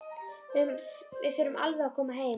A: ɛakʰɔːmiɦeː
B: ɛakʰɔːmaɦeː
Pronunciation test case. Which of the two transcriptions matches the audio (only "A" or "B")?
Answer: B